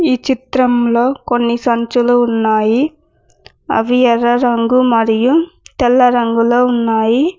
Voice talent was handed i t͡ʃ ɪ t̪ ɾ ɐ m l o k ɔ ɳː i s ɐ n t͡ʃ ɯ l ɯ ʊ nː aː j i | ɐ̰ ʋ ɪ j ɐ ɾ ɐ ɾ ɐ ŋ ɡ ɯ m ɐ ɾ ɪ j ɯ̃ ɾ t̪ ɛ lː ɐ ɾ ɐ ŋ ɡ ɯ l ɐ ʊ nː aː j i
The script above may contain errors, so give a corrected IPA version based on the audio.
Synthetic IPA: i t͡ʃ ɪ t̪ ɾ ɐ m l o k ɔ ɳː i s ɐ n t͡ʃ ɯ l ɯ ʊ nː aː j i | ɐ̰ ʋ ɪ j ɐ ɾ ɐ ɾ ɐ ŋ ɡ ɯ m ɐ ɾ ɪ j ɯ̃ t̪ ɛ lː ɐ ɾ ɐ ŋ ɡ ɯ l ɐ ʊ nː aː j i

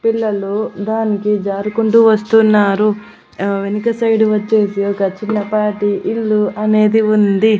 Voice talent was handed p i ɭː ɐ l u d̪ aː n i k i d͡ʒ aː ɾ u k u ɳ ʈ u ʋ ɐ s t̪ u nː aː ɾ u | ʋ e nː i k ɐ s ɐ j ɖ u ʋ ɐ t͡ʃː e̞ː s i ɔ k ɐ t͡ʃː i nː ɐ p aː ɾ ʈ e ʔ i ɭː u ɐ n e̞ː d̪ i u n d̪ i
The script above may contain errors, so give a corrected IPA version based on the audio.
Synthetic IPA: p i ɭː ɐ l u d̪ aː n i k i d͡ʒ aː ɾ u k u ɳ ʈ u ʋ ɐ s t̪ u nː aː ɾ u | ʋ e n i k ɐ s ɐ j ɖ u ʋ ɐ t͡ʃː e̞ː s i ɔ k ɐ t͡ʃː i nː ɐ p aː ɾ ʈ i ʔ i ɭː u ɐ n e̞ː d̪ i u n d̪ i

